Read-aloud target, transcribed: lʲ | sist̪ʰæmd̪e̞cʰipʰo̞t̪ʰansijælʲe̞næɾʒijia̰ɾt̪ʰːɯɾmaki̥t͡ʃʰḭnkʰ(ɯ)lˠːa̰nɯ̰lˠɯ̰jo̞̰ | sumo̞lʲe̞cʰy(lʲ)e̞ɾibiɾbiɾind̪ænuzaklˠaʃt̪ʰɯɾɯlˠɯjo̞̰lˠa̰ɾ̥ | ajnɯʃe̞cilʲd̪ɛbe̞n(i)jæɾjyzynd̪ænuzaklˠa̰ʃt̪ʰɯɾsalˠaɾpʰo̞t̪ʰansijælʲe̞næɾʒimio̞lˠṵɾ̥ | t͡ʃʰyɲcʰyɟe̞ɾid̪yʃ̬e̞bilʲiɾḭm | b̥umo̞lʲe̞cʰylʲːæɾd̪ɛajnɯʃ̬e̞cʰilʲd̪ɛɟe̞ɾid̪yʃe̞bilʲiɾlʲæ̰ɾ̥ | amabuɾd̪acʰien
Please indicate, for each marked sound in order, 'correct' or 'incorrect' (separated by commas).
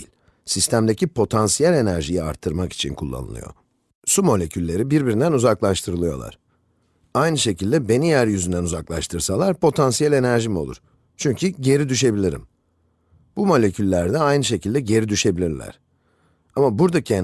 incorrect, incorrect, correct